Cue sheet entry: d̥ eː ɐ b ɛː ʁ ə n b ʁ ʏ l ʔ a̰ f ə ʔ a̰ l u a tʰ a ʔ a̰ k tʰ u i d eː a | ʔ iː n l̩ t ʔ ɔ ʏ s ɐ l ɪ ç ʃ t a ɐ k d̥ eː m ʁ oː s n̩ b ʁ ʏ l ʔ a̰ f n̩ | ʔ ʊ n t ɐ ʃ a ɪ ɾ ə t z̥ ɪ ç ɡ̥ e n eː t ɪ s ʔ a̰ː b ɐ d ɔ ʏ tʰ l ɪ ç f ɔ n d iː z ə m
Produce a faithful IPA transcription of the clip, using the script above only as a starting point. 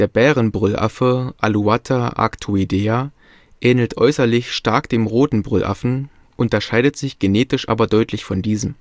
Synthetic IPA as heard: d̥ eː ɐ b ɛː ʁ ə n b ʁ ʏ l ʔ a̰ f ə ʔ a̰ l u a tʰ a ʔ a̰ k tʰ u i d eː a | ʔ ɛː n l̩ t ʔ ɔ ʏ s ɐ l ɪ ç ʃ t a ɐ k d̥ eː m ʁ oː t n̩ b ʁ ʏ l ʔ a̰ f n̩ | ʔ ʊ n t ɐ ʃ a ɪ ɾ ə t z̥ ɪ ç ɡ̥ e n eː t ɪ ʃ ʔ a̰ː b ɐ d ɔ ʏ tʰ l ɪ ç f ɔ n d iː z ə m